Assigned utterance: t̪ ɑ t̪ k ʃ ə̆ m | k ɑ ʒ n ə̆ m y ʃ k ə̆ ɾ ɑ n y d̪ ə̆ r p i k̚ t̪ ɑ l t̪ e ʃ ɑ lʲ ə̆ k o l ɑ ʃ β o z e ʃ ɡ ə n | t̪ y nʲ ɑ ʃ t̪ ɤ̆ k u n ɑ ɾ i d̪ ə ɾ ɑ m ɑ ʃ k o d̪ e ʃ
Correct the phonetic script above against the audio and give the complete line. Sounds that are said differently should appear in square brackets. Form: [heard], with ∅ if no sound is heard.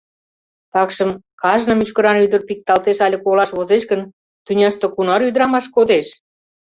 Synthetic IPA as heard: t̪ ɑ [∅] k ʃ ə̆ m | k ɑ ʒ n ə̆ m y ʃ k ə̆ ɾ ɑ n y d̪ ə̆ r p i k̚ t̪ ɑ l t̪ e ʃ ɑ lʲ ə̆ k o l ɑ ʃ β o z e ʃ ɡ ə n | t̪ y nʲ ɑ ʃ t̪ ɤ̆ k u n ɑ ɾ [y] d̪ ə ɾ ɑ m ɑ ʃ k o d̪ e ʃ

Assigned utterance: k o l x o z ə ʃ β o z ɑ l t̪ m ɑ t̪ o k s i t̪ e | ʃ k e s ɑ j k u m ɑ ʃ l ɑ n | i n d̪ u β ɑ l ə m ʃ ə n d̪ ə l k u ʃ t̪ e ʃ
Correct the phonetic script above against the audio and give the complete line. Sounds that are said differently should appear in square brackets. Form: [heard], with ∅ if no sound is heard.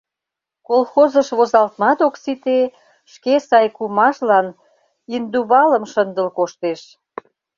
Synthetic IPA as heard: k o l x o z ə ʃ β o z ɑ l t̪ m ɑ t̪ o k s i t̪ e | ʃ k e s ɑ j k u m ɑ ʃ l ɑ n | i n d̪ u β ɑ l ə m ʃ ə n d̪ ə l k [o] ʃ t̪ e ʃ

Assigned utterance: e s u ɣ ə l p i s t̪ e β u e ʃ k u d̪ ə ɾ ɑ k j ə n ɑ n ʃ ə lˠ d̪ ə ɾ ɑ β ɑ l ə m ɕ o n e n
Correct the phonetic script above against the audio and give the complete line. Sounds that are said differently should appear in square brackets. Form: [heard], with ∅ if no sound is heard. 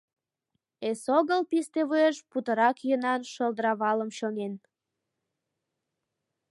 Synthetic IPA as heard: e s [o] ɣ ə l p i s t̪ e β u e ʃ [p] u [t̪] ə ɾ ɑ k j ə n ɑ n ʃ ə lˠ d̪ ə ɾ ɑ β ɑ l ə m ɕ o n e n

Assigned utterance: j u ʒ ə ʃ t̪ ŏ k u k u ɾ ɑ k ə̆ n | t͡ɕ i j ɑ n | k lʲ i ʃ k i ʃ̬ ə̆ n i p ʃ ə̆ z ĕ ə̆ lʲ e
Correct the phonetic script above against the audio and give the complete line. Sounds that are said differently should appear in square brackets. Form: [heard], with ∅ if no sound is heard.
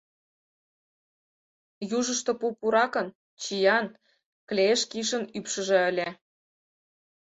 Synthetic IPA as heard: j u ʒ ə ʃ t̪ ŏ [p] u [p] u ɾ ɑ k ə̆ n | t͡ɕ i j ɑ n | k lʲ [e] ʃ k i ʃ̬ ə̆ n [y] p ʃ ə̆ [ʒ] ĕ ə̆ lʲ e

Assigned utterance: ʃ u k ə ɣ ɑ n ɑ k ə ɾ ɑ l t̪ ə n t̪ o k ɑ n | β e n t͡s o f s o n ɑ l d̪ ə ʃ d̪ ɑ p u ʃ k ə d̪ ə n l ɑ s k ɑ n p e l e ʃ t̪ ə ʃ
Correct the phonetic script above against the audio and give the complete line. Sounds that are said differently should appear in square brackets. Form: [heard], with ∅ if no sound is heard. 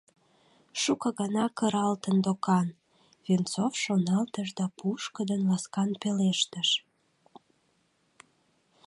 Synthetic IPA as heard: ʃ u k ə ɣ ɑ n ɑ k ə ɾ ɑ l t̪ ə n [d̪] o k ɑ n | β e n t͡s o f [ʃ] o n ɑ l [t̪] ə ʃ d̪ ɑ p u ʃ k ə d̪ ə n l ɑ s k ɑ n p e l e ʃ t̪ ə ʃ

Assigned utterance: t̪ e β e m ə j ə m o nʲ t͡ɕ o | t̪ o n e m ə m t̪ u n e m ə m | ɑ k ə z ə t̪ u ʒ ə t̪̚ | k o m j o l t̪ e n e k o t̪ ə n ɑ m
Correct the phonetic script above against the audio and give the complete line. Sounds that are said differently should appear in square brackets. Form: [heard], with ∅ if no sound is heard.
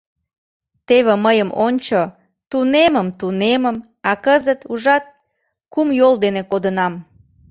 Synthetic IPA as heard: t̪ e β e m ə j ə m o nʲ t͡ɕ o | t̪ [u] n e m ə m t̪ u n e m ə m | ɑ k ə z ə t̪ u ʒ [ɑ] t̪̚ | k [u] m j o l [d̪] e n e k o [d̪] ə n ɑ m

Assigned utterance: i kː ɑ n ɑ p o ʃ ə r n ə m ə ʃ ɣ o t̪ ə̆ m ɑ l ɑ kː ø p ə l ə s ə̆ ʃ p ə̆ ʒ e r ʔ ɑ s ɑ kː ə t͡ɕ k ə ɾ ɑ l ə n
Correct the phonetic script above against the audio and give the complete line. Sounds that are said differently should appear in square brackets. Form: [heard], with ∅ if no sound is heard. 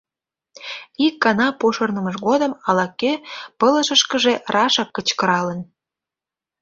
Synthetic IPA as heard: i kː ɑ n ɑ p o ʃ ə r n ə m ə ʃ ɣ o [d̪] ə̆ m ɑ l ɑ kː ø p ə l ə [ʃ] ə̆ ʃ [k] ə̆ ʒ e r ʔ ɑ [ʃ] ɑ kː ə t͡ɕ k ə ɾ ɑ l ə n

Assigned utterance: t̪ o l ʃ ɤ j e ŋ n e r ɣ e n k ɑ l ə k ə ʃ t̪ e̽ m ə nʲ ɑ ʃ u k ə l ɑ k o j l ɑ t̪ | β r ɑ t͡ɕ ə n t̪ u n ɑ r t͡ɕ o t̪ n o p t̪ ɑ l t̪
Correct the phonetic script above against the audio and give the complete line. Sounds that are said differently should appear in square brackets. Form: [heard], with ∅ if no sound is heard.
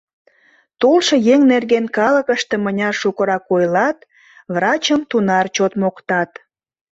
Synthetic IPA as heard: t̪ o l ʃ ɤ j e ŋ n e r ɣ e n k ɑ l ə k ə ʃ t̪ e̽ m ə nʲ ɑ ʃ u k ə [ɾ] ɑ k o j l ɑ t̪ | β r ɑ t͡ɕ ə [m] t̪ u n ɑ r t͡ɕ o t̪ [m] o [k] t̪ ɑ [∅] t̪

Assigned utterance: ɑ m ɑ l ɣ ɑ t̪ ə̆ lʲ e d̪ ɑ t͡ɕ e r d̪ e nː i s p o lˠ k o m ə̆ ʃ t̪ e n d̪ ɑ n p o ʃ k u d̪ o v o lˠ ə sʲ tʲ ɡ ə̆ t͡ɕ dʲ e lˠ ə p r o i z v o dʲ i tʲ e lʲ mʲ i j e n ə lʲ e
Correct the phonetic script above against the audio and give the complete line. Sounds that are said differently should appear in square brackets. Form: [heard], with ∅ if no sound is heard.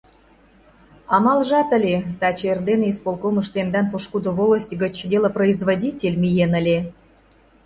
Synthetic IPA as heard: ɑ m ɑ l [ʒ] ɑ t̪ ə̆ lʲ e [t̪] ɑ t͡ɕ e r d̪ e [n] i s p o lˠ k o m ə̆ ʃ t̪ e n d̪ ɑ n p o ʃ k u d̪ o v o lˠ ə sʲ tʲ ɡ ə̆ t͡ɕ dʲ e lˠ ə p r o i z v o dʲ i tʲ e lʲ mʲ i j e n ə lʲ e

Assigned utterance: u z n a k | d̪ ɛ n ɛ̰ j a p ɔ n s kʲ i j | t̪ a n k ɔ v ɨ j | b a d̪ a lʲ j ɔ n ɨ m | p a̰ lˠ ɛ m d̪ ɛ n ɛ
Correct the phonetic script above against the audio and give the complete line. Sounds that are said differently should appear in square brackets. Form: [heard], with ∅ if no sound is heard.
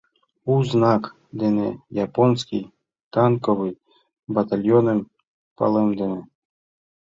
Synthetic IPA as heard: u z n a k | d̪ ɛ n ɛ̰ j a p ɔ n s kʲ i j | t̪ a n k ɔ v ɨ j | b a [t̪] a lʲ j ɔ n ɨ m | p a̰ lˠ ɛ m d̪ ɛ n ɛ

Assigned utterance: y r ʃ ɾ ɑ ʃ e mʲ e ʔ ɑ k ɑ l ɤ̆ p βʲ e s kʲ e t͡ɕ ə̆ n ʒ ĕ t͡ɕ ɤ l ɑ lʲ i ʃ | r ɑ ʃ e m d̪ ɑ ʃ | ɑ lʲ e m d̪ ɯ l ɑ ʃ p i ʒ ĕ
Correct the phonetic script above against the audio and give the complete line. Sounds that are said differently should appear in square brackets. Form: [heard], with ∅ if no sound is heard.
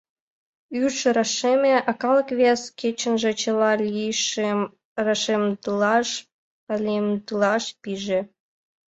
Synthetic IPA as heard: y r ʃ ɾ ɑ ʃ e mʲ e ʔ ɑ k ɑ l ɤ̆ [k] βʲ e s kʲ e t͡ɕ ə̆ n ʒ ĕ t͡ɕ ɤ l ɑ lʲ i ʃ | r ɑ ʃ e m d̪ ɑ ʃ | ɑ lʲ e m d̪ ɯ l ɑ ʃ p i ʒ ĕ

